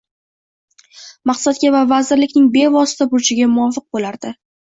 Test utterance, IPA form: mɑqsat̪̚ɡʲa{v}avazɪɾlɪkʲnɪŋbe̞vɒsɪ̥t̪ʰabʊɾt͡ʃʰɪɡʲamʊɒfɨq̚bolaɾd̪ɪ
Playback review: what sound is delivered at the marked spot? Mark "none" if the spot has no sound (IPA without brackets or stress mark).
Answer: v